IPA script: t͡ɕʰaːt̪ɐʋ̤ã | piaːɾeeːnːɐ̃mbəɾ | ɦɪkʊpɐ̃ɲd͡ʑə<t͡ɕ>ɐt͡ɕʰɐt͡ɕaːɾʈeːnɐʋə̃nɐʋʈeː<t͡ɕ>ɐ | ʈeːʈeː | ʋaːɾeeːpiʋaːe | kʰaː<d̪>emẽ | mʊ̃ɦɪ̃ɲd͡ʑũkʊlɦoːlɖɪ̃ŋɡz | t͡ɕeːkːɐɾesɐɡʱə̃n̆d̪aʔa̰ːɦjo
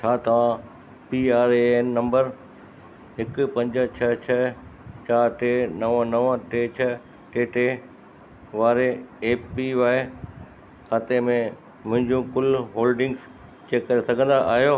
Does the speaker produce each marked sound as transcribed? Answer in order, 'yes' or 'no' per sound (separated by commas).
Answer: no, no, no